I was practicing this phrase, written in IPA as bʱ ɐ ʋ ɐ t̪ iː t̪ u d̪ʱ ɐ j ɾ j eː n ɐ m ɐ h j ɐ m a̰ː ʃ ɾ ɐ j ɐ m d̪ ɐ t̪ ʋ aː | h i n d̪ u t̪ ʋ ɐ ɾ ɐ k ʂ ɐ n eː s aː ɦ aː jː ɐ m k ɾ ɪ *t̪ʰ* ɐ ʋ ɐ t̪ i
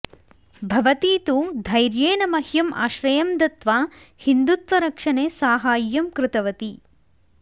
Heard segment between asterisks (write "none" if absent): t̪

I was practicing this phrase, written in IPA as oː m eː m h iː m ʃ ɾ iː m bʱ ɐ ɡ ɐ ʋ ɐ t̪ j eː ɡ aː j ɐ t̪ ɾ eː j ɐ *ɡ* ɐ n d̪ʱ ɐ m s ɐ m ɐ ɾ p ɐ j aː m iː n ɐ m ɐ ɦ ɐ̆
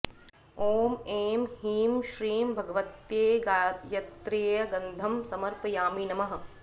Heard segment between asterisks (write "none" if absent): ɡ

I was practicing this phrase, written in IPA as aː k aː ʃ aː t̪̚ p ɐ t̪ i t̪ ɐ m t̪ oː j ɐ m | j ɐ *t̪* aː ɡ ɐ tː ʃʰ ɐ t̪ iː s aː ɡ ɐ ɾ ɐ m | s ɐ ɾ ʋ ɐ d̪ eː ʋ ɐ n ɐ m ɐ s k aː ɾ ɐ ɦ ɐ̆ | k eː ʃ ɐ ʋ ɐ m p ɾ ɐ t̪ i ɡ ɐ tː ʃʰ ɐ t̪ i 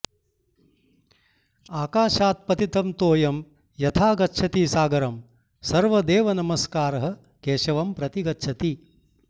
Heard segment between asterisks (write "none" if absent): t̪ʰ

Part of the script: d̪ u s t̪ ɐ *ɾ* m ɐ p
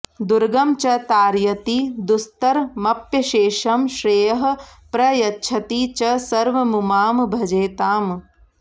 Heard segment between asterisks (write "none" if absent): ɾ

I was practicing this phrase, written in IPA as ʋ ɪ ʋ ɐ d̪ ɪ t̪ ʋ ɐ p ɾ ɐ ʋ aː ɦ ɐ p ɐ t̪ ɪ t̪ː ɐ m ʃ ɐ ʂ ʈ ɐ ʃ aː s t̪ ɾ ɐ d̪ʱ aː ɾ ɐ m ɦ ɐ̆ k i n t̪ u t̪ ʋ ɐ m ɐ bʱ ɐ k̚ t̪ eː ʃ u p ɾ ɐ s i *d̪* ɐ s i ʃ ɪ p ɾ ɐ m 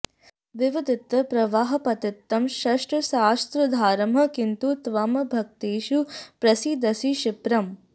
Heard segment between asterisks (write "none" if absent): d̪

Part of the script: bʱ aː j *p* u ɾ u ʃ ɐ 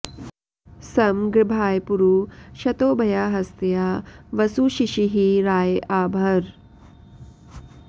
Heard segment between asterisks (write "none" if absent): p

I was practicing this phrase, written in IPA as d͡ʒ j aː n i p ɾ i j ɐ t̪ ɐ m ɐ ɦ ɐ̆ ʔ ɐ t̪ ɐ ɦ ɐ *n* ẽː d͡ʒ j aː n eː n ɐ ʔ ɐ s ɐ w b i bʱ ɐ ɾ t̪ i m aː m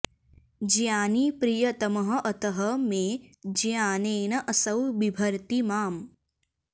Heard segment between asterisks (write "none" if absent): m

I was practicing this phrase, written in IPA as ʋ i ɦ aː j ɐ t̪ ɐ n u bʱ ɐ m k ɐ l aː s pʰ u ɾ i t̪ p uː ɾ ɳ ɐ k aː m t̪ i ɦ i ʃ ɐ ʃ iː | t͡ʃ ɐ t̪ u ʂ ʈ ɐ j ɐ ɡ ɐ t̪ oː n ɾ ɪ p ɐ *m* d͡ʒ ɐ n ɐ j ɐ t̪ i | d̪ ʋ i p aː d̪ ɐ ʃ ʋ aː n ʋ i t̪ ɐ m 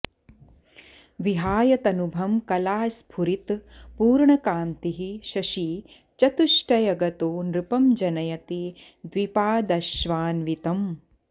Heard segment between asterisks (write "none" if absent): m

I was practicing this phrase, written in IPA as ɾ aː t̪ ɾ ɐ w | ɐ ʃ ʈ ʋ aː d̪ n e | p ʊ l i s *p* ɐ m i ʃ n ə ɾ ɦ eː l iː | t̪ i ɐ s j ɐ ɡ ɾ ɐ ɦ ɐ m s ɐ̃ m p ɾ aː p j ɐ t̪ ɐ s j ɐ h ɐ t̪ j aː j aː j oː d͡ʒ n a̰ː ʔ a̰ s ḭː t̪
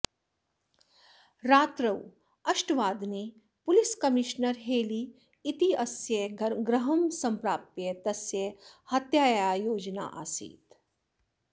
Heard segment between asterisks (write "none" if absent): k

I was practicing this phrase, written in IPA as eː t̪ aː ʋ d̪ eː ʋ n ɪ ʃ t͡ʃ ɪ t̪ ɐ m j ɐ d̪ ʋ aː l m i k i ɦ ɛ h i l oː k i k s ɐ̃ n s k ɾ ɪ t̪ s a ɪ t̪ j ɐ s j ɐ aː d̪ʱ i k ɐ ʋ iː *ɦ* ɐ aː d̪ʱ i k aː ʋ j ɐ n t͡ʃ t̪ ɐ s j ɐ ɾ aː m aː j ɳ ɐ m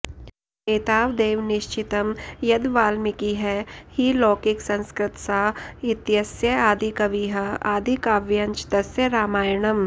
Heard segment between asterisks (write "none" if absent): ɦ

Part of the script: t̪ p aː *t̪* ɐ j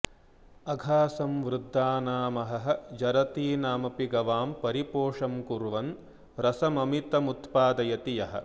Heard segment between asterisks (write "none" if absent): d̪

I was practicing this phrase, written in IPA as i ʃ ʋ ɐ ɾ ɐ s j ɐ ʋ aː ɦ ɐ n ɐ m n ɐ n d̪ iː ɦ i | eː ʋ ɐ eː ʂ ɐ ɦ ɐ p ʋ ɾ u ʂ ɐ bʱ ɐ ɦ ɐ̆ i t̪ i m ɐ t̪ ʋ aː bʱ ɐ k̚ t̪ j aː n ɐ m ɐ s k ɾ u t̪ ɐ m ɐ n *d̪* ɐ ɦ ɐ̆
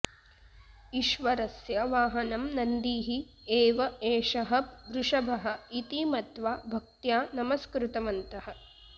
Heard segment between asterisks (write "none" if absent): t̪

